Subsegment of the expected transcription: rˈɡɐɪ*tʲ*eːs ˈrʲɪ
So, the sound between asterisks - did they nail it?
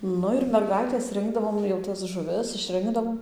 yes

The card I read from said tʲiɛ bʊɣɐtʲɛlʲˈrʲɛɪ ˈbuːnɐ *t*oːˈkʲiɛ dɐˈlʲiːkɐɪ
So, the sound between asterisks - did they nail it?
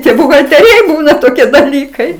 yes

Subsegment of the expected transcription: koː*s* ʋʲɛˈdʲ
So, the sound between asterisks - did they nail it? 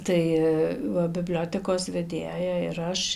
yes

